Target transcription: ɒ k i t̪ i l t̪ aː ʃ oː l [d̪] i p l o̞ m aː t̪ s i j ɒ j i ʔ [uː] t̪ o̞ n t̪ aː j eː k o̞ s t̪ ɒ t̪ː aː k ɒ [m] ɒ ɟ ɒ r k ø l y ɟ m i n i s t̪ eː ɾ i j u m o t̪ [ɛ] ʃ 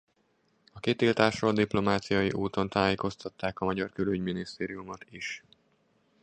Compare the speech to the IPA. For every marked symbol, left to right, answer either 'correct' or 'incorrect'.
correct, correct, correct, incorrect

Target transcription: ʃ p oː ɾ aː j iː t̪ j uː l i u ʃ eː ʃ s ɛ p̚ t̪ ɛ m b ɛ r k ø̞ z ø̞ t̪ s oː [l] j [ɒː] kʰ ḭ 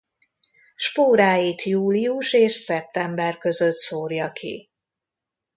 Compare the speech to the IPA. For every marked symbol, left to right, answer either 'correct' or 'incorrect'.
incorrect, incorrect

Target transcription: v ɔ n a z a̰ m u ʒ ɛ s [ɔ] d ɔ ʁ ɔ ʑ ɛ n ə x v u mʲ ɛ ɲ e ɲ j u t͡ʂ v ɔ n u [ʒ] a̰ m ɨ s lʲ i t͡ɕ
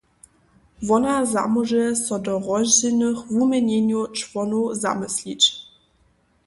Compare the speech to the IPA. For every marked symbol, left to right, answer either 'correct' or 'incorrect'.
correct, incorrect

